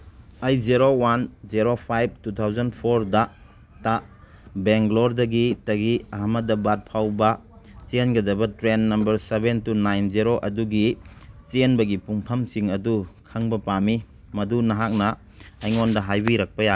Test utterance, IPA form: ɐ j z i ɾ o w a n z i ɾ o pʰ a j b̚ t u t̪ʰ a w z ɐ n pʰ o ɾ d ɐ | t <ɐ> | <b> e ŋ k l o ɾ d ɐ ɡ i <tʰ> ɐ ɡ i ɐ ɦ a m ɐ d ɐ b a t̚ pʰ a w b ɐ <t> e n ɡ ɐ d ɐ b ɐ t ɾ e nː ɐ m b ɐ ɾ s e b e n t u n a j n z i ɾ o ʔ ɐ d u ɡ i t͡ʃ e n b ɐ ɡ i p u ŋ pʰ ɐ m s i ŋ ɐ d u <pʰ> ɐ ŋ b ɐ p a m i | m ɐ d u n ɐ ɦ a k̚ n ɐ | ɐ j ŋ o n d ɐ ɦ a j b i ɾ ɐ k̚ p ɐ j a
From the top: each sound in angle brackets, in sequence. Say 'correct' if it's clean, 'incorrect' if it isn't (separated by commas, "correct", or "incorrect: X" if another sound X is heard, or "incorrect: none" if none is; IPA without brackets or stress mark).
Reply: incorrect: a, correct, incorrect: t, incorrect: t͡ʃ, incorrect: kʰ